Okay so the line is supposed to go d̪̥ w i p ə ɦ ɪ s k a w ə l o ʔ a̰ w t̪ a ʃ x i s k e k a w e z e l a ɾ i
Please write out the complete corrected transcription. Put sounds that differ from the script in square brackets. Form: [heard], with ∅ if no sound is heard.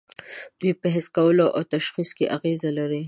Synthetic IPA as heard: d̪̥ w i p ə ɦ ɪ s k a w ə l o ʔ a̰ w t̪ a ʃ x i s k e [ʔ] a [ɣ] e z [a] l a ɾ i